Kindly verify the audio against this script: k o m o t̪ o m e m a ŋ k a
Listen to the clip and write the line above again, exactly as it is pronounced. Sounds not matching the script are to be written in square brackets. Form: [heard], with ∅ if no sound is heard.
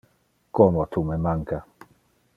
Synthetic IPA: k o m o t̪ [u] m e m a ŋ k a